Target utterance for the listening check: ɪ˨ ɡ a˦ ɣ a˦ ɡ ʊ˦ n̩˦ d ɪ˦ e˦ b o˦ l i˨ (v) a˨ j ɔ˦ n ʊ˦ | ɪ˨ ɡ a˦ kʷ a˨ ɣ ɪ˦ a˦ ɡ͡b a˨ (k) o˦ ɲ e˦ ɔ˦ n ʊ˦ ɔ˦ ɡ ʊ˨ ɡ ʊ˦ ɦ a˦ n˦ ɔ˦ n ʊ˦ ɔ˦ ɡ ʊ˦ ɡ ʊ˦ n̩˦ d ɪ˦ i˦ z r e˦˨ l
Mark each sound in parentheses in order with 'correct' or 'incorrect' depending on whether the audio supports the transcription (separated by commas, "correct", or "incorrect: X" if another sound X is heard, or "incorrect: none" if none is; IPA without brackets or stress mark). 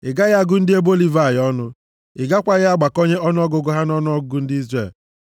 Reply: correct, correct